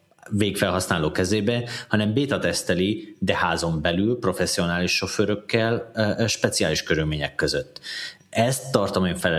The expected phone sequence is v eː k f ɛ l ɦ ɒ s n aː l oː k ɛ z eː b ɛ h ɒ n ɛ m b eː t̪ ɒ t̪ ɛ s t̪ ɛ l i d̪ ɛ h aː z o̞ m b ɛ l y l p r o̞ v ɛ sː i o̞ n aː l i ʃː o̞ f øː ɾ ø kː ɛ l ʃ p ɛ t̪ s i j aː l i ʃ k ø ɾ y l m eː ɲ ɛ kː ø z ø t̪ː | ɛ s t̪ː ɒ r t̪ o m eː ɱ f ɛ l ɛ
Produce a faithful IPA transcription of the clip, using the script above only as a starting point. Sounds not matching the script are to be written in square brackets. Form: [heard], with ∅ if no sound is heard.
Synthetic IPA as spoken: v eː k f ɛ l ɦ ɒ s n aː l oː k ɛ z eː b ɛ h ɒ n ɛ m b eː t̪ ɒ t̪ ɛ s t̪ ɛ l i d̪ ɛ h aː z o̞ m b ɛ l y l p r o̞ [f] ɛ sː i o̞ n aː l i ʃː o̞ f øː ɾ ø kː ɛ l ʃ p ɛ t̪ s i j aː l i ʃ k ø ɾ y l m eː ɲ ɛ kː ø z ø t̪ː | ɛ s t̪ː ɒ r t̪ o m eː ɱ f ɛ l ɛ